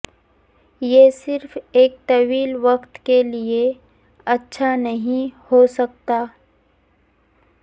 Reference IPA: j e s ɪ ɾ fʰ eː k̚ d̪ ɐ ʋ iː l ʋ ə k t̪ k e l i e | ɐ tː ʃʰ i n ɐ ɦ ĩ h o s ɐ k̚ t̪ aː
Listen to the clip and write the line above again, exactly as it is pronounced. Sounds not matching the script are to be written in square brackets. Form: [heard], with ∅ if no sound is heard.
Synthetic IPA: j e s ɪ ɾ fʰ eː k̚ [t̪] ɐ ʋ iː l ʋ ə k t̪ k e l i e | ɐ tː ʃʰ [a] n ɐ ɦ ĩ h o s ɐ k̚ t̪ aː

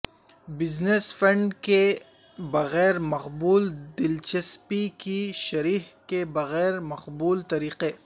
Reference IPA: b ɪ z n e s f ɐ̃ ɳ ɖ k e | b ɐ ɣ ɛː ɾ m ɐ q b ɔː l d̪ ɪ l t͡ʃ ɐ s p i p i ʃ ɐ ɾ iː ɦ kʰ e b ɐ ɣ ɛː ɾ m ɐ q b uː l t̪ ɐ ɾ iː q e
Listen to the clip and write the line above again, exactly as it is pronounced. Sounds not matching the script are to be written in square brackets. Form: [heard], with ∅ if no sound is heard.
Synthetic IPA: b ɪ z n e s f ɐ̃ ɳ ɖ k e | b ɐ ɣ ɛː ɾ m ɐ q b [uː] l d̪ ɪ l t͡ʃ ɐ s p i [k] i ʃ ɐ ɾ iː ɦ [k] e b ɐ ɣ ɛː ɾ m ɐ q b uː l t̪ ɐ ɾ iː q e

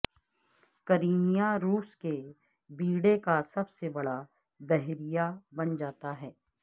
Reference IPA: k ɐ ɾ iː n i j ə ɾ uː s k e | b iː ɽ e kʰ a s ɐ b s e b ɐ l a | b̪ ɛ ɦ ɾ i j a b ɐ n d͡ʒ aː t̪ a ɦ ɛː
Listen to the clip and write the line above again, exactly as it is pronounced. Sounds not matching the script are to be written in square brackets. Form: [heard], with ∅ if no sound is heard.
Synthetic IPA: k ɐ ɾ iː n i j [a] ɾ uː s k e | b iː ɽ e [k] a s ɐ b s e b ɐ [ɽ] a | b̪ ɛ ɦ ɾ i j a b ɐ n d͡ʒ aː t̪ a ɦ ɛː

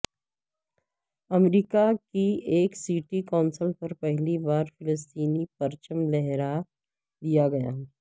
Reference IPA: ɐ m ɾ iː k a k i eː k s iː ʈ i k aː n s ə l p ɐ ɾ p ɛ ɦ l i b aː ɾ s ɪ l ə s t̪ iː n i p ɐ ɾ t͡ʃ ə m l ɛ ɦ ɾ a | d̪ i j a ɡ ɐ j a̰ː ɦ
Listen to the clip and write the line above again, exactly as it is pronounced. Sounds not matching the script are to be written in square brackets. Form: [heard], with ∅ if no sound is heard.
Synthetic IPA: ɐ m ɾ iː k a k i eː k s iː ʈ i k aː n s ə l p ɐ ɾ p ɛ ɦ l i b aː ɾ [f] ɪ l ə s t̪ iː n i p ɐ ɾ t͡ʃ ə m l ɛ ɦ ɾ a | d̪ i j a ɡ ɐ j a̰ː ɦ

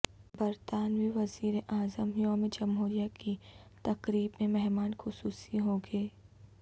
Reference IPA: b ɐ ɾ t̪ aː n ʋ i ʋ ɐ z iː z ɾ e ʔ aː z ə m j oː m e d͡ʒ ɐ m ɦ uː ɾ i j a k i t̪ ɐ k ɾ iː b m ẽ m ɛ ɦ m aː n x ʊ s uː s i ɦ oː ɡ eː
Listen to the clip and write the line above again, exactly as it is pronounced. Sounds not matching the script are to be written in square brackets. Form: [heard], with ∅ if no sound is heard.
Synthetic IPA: b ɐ ɾ t̪ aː n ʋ i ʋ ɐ z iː [∅] ɾ e ʔ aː z ə m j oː m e d͡ʒ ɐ m ɦ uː ɾ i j a k i t̪ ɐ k ɾ iː b m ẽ m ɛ ɦ m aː n x ʊ s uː s i ɦ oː ɡ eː

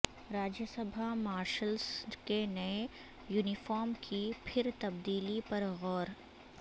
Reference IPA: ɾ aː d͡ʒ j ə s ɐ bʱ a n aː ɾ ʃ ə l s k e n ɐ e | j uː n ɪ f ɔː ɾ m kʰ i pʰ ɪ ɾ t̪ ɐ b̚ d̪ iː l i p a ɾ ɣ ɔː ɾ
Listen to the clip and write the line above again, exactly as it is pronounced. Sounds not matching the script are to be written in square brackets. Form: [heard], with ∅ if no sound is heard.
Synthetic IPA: ɾ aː d͡ʒ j ə s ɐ bʱ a [m] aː ɾ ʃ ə l s k e n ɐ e | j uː n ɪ f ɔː ɾ m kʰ i pʰ ɪ ɾ t̪ ɐ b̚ d̪ iː l i p [ɐ] ɾ ɣ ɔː ɾ

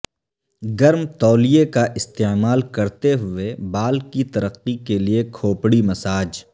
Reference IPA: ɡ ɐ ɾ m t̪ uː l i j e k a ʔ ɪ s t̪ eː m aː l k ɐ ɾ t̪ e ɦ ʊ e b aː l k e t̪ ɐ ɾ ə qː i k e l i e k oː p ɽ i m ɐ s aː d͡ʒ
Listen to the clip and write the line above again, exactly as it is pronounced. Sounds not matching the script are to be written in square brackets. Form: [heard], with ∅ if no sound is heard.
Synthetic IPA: ɡ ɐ ɾ m t̪ [ɔː] l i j e k a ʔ ɪ s t̪ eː m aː l k ɐ ɾ t̪ e ɦ ʊ e b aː l k [i] t̪ ɐ ɾ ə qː i k e l i e [kʰ] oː p ɽ i m ɐ s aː d͡ʒ

